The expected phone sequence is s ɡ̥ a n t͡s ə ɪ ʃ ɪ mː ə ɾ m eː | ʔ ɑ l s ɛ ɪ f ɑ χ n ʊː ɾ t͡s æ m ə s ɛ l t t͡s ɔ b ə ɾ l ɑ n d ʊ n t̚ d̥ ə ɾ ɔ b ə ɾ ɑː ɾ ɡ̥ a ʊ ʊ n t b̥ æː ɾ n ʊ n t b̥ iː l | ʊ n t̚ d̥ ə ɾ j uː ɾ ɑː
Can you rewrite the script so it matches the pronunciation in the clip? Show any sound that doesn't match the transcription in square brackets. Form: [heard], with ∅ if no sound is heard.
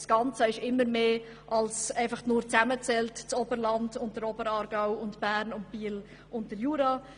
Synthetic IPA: s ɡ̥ [ɑ] n t͡s ə ɪ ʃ ɪ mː ə ɾ m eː | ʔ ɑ l s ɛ ɪ f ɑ χ n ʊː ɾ t͡s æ m ə [t͡s] ɛ l t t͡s ɔ b ə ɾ l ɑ n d ʊ n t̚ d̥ ə ɾ ɔ b ə ɾ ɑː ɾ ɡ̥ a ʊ ʊ n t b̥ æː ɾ n ʊ n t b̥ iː l | ʊ n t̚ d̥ ə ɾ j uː ɾ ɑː

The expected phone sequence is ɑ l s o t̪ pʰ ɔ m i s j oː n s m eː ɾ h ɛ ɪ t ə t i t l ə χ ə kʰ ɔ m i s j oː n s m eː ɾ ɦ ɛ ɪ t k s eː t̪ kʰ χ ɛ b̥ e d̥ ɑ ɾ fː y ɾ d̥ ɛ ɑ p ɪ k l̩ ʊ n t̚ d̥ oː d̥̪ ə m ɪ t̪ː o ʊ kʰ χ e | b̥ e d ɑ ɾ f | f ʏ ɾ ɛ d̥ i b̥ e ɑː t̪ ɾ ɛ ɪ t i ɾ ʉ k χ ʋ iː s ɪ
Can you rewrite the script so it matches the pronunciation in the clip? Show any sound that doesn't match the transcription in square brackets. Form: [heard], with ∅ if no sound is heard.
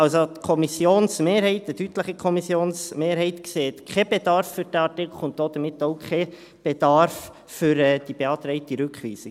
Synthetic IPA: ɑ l s o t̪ [kʰ] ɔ m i s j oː n s m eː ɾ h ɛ ɪ t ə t [y] t l ə χ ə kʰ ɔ m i s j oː n s m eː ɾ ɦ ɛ ɪ t k s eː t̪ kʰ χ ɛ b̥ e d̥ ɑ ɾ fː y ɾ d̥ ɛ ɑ [t] ɪ k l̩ ʊ n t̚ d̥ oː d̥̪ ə m ɪ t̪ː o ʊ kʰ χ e | b̥ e d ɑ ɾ f | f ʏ ɾ ɛ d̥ i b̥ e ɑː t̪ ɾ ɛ ɪ t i ɾ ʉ k χ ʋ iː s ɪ

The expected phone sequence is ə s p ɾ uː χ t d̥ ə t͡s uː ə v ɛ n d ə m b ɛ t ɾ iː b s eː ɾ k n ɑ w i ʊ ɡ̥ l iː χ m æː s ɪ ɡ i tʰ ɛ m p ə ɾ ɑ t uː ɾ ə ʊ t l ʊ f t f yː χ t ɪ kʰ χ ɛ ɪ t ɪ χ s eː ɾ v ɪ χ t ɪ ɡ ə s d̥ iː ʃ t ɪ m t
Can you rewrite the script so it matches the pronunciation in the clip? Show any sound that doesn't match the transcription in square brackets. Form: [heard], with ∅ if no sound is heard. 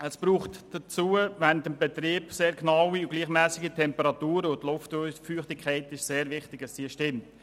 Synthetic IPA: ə s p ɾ uː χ t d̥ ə t͡s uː ə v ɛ n d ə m b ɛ t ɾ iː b s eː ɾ k n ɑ w i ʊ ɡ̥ l iː χ m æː s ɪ ɡ i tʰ ɛ m p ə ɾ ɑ t uː ɾ ə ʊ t l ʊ f t f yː χ t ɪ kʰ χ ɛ ɪ t ɪ [ʃ] s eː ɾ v ɪ χ t ɪ ɡ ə s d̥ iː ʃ t ɪ m t

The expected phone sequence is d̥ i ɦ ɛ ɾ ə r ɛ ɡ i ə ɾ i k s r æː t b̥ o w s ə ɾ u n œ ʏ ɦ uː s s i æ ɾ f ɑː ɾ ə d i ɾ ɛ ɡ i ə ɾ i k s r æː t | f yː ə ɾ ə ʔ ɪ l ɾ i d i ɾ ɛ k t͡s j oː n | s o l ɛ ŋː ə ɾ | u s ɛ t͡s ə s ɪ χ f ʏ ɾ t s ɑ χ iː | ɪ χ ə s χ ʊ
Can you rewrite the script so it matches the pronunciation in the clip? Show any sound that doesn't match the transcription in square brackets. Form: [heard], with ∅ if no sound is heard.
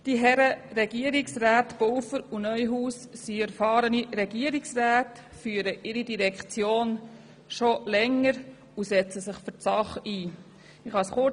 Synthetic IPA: d̥ i ɦ ɛ ɾ ə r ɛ ɡ i ə ɾ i k s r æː t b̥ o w [f] ə ɾ u n œ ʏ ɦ uː s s i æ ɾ f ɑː ɾ ə [n] i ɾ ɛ ɡ i ə ɾ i k s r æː t | f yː ə ɾ ə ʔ ɪ [∅] ɾ i d i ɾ ɛ k t͡s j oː n | [ʃ] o l ɛ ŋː ə ɾ | u s ɛ t͡s ə s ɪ χ f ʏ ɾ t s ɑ χ iː | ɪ χ [ɑ] s χ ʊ

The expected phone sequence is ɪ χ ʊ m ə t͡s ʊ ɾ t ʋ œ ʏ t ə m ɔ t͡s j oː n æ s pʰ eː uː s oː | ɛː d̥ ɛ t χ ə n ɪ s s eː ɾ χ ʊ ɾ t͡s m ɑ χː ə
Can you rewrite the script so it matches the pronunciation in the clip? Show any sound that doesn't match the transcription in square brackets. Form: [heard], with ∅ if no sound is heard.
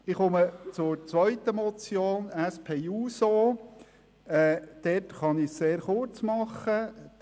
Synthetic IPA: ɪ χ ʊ m ə t͡s ʊ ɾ [t͡s] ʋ œ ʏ t ə m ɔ t͡s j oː n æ s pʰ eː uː s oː | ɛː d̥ ɛ t χ [ɑ] n ɪ s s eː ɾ χ ʊ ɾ t͡s m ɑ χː ə

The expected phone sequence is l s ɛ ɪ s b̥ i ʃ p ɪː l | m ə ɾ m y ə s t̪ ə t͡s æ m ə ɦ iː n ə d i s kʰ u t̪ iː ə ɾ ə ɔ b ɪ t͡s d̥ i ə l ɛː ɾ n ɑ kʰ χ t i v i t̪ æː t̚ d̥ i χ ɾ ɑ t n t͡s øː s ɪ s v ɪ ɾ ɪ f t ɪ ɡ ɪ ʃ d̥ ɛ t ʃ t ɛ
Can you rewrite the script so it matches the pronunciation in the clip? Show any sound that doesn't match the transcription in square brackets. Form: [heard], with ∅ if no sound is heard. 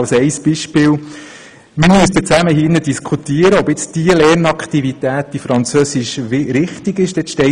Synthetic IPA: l s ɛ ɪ s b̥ i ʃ p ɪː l | m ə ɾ m y ə s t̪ ə t͡s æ m ə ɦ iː n ə d i s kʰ u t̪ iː ə ɾ ə ɔ b ɪ t͡s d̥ i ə l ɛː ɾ n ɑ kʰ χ t i v i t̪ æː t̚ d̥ i [f] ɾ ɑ [∅] n t͡s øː s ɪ [ʃ] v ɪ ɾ ɪ [χ] t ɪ ɡ ɪ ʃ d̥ ɛ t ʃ t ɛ

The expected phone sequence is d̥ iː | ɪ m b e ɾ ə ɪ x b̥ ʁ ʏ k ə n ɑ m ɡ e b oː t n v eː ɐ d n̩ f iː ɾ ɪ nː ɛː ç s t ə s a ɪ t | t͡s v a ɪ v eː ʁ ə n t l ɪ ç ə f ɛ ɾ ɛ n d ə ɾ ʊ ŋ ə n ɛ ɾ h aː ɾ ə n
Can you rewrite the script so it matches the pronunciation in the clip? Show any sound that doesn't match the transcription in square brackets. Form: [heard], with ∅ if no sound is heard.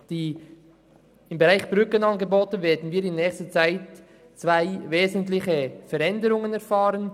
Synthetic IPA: d̥ iː | ɪ m b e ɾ [a] ɪ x b̥ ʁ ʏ k ə n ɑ [n] ɡ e b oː t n v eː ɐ d n̩ [v] iː ɾ ɪ nː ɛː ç s t ə [t͡s] a ɪ t | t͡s v a ɪ v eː [z] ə n t l ɪ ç ə f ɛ ɾ ɛ n d ə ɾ ʊ ŋ ə n ɛ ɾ [f] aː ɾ ə n

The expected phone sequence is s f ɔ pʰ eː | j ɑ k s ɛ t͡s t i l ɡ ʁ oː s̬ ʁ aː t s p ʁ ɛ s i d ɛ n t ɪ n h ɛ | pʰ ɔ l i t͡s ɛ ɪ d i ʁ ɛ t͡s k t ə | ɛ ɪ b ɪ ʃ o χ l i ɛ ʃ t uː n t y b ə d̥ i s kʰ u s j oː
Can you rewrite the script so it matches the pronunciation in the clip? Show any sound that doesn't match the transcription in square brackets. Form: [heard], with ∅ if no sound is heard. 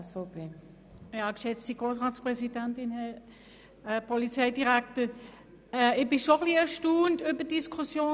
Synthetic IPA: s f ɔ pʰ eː | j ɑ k [ʃ] ɛ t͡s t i [∅] ɡ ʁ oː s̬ ʁ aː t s p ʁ ɛ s i d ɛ n t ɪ n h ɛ | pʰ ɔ l i t͡s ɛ ɪ d i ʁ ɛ [∅] k t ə | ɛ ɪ b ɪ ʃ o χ l i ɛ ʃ t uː n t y b ə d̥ i s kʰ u s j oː

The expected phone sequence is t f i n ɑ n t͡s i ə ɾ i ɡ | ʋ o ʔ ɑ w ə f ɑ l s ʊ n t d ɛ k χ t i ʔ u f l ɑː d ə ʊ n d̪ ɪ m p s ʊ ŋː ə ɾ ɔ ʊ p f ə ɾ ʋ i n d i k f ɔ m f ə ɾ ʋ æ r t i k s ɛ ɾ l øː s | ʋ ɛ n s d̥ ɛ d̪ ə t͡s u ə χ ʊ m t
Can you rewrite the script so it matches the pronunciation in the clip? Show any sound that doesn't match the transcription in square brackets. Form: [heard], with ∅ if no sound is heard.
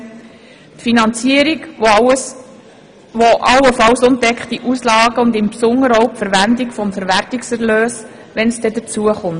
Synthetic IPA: t f i n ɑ n t͡s i ə ɾ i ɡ | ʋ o ʔ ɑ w ə f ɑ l s ʊ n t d ɛ k χ t i ʔ u [s] l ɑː [ɡ] ə ʊ n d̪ ɪ m p s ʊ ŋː ə ɾ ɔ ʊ p f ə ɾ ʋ [æ] n d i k f ɔ m f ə ɾ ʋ æ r t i k s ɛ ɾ l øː s | ʋ ɛ n s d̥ ɛ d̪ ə t͡s u ə χ ʊ m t

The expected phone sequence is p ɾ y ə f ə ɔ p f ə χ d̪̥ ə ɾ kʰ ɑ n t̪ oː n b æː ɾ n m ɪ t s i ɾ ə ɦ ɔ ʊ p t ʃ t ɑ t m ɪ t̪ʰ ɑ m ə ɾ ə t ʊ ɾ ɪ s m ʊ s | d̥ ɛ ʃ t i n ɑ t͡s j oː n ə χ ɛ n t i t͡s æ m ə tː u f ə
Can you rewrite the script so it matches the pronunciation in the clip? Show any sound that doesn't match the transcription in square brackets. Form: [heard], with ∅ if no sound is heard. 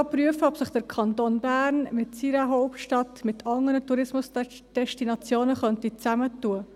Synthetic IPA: p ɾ y ə f ə ɔ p [s] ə χ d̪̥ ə ɾ kʰ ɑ n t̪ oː n b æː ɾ n m ɪ t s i ɾ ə ɦ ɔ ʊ p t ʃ t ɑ t m ɪ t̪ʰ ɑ [ŋ] ə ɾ ə t [u] ɾ ɪ s m ʊ s | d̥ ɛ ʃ t i n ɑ t͡s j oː n ə χ [œ] n t i t͡s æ m ə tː u [∅] ə

